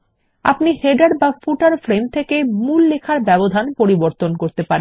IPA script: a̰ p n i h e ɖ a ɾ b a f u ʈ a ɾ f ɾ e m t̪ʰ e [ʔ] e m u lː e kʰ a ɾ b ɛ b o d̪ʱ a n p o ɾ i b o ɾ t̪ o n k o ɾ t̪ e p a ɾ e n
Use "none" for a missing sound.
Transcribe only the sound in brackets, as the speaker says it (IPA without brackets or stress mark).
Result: k